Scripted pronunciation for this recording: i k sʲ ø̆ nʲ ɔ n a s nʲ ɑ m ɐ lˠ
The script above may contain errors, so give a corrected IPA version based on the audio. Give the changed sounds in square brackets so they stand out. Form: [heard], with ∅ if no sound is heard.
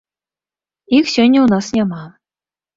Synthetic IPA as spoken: i k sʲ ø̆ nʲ [u] n [ɑ] s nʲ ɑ m [ɑ] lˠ

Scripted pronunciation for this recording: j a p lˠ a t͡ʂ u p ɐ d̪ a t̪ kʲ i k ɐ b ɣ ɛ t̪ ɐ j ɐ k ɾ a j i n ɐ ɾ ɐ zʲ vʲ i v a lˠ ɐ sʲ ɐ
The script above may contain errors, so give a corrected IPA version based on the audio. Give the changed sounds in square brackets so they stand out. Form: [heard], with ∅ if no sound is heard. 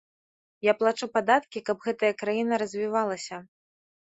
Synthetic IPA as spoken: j a p lˠ a t͡ʂ u p [a] d̪ a t̪ kʲ i k ɐ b ɣ ɛ t̪ ɐ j ɐ k ɾ a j i n ɐ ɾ ɐ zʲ vʲ i v a lˠ ɐ sʲ ɐ

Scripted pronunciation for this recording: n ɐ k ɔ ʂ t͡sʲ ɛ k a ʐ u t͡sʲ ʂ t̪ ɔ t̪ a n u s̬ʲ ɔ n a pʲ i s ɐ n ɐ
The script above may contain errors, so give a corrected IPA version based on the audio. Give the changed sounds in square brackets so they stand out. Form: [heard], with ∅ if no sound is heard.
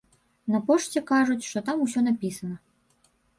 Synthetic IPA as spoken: n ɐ [p] ɔ ʂ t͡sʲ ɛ k a ʐ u t͡sʲ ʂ t̪ ɔ t̪ a [m] u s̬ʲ ɔ n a pʲ i s ɐ n ɐ

